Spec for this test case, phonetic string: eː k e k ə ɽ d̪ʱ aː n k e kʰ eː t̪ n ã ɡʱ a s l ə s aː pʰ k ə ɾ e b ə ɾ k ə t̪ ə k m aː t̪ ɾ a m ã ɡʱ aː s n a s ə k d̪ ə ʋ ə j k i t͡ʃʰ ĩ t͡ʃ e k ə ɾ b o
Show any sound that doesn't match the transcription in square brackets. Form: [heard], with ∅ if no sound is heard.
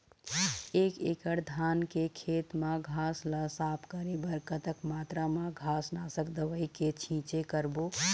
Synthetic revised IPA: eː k e k ə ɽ d̪ʱ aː n k e kʰ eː t̪ [m] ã ɡʱ a s l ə s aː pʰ k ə ɾ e b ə ɾ k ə t̪ ə k m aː t̪ ɾ a m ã ɡʱ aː s n a s ə k d̪ ə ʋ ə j k [e] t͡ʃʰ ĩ t͡ʃ e k ə ɾ b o